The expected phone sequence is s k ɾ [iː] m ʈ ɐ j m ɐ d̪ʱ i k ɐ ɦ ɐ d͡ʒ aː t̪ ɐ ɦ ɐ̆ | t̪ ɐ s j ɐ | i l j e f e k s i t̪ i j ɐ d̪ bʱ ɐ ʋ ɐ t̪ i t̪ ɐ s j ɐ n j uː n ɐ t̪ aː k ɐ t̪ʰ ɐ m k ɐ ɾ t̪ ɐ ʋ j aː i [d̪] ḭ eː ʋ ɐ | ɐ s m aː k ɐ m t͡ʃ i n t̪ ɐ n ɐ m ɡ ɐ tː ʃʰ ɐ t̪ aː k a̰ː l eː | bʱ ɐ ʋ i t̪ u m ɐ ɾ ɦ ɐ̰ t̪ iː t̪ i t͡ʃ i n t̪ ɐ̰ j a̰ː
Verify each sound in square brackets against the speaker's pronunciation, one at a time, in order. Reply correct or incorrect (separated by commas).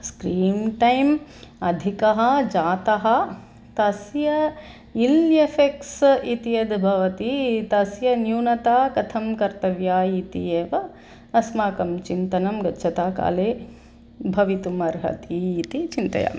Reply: correct, incorrect